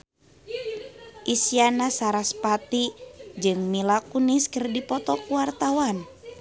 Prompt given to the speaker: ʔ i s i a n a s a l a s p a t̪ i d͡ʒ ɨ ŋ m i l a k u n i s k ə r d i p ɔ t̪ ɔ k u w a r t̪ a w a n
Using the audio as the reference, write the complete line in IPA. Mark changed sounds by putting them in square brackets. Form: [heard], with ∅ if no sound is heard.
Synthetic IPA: ʔ i s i a n a s a [ɾ] a s p a t̪ i d͡ʒ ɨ ŋ m i l a k u n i s k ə r d i p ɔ t̪ ɔ k u w a r t̪ a w a n

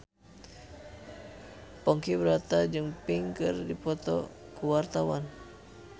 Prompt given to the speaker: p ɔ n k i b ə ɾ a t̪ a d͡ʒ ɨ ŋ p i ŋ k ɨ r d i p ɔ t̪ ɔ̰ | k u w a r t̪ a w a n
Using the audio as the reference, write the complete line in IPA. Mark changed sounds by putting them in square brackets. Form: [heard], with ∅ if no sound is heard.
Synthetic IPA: p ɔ [ŋ] k i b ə ɾ a t̪ a d͡ʒ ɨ ŋ p i ŋ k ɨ r d i p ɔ t̪ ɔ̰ | k u w a r t̪ a w a n

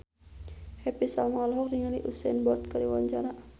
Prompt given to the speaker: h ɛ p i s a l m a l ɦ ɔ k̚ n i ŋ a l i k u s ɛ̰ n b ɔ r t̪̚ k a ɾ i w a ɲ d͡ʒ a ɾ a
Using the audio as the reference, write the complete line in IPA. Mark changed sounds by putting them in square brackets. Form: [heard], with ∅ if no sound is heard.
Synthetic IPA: h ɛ p i s a l m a l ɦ ɔ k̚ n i ŋ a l i [ʔ] u s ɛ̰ n b ɔ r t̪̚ k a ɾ i w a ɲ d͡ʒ a ɾ a

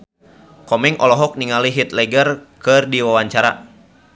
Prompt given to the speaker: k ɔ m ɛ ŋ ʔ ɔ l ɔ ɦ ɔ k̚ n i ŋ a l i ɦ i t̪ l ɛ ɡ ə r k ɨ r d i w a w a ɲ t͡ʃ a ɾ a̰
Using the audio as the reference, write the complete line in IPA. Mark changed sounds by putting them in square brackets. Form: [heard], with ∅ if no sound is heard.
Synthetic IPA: k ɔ m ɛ ŋ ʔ ɔ l ɔ ɦ ɔ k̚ n i ŋ a l i ɦ i t̪ l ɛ ɡ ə r k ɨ r d i w a w a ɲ t͡ʃ a ɾ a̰

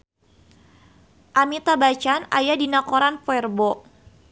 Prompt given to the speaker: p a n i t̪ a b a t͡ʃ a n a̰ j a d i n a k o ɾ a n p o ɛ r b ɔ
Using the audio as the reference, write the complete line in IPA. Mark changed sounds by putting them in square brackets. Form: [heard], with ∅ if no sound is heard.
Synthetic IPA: [ʔ] a [m] i t̪ a b a t͡ʃ a n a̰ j a d i n a k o ɾ a n p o ɛ r b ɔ

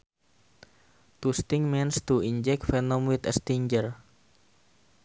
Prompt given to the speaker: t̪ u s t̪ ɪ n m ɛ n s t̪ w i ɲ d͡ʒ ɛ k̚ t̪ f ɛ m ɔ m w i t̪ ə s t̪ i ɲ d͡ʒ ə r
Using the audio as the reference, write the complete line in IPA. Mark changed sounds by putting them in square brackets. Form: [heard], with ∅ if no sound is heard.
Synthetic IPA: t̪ u s t̪ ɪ [ŋ] m ɛ n s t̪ [u] i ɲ d͡ʒ ɛ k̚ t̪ f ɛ [n] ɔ m w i t̪ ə s t̪ i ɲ d͡ʒ ə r

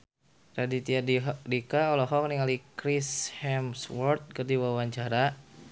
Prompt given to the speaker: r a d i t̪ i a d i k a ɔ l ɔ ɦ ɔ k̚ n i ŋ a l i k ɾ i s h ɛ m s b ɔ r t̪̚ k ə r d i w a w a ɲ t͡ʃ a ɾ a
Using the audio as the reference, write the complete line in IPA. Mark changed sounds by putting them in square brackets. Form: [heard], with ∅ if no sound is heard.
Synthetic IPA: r a d i t̪ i a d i k a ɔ l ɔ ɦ ɔ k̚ n i ŋ a l i k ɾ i s h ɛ m s [w] ɔ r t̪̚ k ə r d i w a w a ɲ t͡ʃ a ɾ a

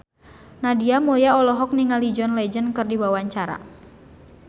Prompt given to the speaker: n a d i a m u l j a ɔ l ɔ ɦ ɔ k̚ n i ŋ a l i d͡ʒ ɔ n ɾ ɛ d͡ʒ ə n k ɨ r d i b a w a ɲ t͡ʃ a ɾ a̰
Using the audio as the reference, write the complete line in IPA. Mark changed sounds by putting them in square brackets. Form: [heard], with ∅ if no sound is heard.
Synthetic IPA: n a d i a m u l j a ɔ l ɔ ɦ ɔ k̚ n i ŋ a l i d͡ʒ ɔ n [l] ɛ d͡ʒ ə n k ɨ r d i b a w a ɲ t͡ʃ a ɾ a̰

